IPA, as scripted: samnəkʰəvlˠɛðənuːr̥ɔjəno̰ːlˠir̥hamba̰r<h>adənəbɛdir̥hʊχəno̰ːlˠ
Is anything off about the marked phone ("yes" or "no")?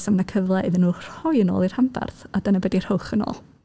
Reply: yes